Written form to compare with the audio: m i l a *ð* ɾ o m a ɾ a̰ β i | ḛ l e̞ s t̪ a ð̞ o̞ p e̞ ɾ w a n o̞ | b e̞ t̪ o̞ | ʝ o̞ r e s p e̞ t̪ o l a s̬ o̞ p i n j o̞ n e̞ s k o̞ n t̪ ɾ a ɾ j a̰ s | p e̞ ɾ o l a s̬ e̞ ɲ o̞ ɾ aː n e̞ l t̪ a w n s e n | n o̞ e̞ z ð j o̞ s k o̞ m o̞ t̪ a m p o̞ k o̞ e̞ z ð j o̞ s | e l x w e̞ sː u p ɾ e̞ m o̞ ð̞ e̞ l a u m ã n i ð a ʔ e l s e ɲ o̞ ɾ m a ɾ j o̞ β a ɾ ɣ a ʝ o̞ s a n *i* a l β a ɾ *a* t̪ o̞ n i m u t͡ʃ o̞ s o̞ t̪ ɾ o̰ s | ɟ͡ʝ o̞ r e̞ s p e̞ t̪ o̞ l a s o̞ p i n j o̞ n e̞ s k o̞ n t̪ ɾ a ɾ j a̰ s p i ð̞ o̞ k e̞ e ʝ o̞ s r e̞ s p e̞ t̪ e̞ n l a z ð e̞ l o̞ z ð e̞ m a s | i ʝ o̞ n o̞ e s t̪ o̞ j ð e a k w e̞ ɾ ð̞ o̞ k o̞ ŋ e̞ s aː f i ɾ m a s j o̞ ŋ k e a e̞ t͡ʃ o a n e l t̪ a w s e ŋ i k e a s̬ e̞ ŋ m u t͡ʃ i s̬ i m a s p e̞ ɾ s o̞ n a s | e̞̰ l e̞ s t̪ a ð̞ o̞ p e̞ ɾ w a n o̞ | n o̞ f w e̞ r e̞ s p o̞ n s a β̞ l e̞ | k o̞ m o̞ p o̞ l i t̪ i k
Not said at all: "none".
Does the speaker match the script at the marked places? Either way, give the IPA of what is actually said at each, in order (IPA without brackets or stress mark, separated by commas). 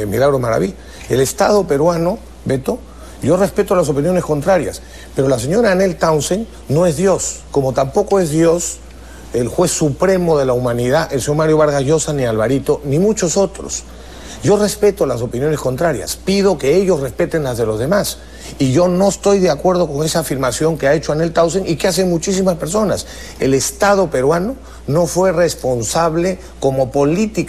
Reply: ɣ, i, i